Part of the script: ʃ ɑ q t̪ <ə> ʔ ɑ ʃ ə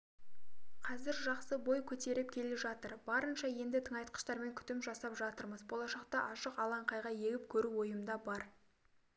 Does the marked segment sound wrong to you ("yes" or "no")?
yes